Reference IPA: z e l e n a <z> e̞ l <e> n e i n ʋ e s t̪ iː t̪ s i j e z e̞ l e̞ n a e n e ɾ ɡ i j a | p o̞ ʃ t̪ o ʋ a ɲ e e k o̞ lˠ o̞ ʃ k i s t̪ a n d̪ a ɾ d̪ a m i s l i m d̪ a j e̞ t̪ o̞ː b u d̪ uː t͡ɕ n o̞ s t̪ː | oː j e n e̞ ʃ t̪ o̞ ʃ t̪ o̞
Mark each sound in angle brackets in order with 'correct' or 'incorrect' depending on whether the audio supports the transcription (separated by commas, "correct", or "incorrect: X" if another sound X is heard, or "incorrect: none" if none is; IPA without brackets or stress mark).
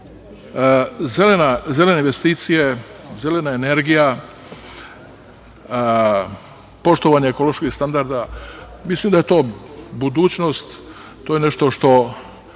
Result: correct, correct